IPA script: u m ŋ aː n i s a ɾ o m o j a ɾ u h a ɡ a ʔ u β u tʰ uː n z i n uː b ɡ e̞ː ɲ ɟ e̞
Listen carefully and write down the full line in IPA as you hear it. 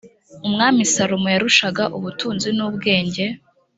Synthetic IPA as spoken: u m ŋ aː m i s a ɾ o m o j a ɾ u ʃ a ɡ a ʔ u β u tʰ uː n z i n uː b ɡ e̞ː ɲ ɟ e̞